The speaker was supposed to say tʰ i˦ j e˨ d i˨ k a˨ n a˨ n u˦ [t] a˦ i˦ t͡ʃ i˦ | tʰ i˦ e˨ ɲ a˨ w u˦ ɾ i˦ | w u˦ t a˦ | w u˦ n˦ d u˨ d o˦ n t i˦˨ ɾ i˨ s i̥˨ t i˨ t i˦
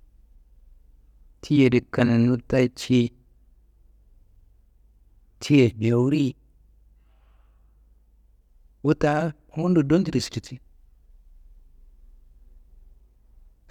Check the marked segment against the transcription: correct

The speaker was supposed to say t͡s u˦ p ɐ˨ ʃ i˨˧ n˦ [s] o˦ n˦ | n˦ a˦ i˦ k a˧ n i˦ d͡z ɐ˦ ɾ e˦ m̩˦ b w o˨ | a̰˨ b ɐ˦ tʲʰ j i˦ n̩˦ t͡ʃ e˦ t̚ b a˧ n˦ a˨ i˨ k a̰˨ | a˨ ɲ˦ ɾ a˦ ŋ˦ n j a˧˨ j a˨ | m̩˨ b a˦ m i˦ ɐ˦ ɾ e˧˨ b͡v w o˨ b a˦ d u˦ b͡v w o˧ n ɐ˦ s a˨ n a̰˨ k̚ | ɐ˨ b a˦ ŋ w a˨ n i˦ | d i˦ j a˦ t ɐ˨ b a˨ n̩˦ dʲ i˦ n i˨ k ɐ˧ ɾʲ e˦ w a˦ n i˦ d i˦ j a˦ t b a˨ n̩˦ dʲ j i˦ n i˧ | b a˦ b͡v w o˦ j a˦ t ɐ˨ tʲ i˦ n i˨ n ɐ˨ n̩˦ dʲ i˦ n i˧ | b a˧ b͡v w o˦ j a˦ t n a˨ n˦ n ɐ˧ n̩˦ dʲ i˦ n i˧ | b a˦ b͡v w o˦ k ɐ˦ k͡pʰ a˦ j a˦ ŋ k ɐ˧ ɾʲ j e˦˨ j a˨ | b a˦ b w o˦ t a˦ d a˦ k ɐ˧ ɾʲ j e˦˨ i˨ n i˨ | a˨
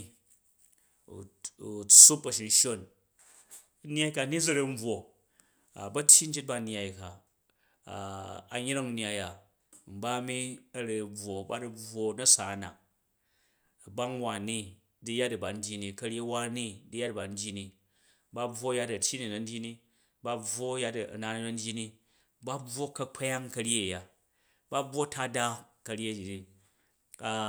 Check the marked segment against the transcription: incorrect: ʃ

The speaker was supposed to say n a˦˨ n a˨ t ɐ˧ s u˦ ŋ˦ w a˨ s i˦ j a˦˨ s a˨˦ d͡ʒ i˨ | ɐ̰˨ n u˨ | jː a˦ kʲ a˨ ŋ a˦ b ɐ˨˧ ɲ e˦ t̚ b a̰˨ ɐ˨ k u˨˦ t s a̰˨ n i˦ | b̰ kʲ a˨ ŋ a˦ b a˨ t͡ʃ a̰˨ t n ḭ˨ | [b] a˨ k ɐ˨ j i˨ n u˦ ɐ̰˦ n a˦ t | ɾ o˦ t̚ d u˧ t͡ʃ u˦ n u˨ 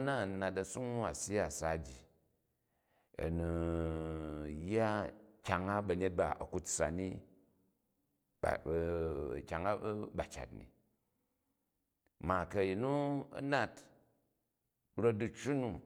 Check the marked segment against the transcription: incorrect: m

